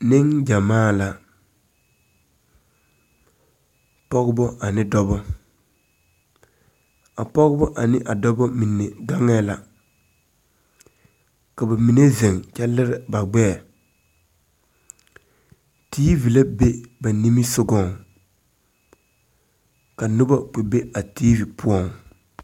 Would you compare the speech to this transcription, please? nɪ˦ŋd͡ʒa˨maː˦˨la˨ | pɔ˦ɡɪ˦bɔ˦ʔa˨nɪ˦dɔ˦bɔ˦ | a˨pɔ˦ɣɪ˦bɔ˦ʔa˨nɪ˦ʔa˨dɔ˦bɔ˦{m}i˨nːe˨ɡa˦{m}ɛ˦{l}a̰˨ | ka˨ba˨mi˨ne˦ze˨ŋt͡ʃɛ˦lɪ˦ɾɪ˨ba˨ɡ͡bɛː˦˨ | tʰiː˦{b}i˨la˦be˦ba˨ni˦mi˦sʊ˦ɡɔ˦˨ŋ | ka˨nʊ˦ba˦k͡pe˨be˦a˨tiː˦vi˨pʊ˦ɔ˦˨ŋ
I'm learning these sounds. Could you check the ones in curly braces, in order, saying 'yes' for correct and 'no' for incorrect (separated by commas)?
yes, no, yes, no